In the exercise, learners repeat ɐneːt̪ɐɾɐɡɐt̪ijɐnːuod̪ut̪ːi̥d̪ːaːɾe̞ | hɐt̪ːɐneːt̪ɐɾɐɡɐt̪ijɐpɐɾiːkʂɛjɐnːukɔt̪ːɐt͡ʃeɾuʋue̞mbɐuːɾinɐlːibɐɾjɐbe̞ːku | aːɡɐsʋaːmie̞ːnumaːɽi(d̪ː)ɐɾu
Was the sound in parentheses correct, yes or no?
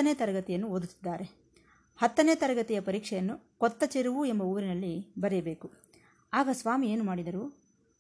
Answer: no